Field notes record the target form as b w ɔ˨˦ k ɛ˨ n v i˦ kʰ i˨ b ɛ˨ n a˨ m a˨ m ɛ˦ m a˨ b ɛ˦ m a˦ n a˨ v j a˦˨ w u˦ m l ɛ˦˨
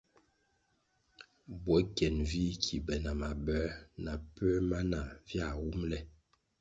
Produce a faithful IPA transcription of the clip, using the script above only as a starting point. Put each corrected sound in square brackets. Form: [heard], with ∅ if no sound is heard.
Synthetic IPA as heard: b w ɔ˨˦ k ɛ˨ n v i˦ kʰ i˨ b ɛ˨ n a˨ m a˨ [b] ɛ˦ [n] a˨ [p] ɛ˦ m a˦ n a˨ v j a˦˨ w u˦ m l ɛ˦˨

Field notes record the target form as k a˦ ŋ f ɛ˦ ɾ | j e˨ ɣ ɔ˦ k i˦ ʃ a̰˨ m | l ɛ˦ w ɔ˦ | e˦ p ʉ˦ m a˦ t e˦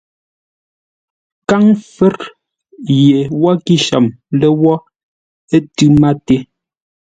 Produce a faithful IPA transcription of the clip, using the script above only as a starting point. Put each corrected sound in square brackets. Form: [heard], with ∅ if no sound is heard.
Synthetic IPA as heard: k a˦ ŋ f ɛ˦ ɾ | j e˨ [w] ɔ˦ k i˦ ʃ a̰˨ m | l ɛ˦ w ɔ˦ | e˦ [t] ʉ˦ m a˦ t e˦

